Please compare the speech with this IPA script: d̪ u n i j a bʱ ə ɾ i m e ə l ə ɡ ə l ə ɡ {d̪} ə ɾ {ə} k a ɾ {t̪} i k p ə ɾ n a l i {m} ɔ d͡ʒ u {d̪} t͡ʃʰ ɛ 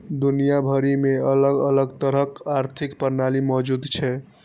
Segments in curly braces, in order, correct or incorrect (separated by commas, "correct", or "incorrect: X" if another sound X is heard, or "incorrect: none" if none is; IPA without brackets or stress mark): incorrect: t̪, correct, incorrect: t̪ʰ, correct, correct